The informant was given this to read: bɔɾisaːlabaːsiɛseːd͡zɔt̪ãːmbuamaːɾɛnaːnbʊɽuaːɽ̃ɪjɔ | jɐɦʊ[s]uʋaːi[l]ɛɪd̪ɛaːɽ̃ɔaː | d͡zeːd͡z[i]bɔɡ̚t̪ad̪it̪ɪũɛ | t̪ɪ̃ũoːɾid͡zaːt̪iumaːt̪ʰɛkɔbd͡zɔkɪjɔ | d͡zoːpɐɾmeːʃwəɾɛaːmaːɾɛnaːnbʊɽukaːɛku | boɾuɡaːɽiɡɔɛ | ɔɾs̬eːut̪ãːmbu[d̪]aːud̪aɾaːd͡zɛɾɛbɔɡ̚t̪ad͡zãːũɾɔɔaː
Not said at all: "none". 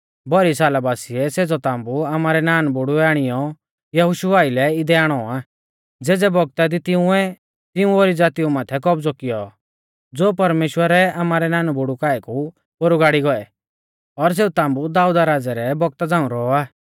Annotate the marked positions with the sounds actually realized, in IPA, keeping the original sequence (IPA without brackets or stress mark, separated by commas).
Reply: ʃ, l, ɛ, d̪